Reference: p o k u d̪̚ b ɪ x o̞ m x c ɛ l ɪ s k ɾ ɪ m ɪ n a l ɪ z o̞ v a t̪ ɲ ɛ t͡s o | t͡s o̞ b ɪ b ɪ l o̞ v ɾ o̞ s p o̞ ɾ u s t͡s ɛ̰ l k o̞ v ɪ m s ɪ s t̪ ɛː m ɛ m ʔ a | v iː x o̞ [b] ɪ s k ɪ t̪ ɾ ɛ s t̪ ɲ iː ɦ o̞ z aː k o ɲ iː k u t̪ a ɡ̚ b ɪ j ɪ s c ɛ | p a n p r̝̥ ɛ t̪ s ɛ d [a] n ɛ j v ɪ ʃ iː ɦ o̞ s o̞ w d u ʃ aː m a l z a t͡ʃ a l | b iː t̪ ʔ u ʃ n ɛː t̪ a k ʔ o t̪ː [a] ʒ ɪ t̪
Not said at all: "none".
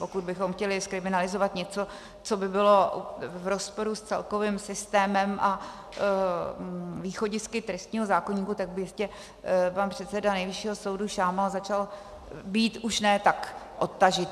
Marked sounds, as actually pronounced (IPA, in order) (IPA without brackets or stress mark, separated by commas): ɟ, a, a